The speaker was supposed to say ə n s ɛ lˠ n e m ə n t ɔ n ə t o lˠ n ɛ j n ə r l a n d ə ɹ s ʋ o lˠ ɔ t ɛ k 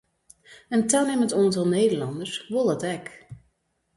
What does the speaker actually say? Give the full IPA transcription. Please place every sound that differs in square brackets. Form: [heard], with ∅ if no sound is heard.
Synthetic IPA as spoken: ə n [t] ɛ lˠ n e m ə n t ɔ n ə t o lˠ n [e] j [d] ə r l [ɑ] n d ə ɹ s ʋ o lˠ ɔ t ɛ k